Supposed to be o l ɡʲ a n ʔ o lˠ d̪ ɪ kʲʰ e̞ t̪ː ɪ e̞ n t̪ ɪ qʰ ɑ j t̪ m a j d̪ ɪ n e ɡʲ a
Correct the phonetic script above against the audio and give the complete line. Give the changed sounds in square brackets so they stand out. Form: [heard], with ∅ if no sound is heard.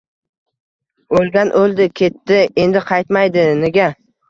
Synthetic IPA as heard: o l ɡʲ a n ʔ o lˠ d̪ ɪ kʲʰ e̞ t̪ː ɪ e̞ n [d̪] ɪ qʰ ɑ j t̪ m a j d̪ ɪ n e ɡʲ a